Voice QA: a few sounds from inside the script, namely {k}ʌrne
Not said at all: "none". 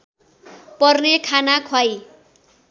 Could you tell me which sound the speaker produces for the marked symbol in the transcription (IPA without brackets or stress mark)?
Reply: p